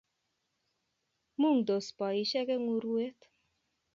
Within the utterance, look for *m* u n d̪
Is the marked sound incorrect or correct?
correct